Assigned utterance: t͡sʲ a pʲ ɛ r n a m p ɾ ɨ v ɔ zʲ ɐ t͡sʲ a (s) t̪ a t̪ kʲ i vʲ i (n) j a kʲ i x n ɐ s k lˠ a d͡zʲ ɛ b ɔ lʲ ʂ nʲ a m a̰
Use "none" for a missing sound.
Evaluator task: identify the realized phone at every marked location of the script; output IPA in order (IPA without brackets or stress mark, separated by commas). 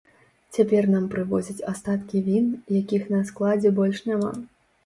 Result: s, n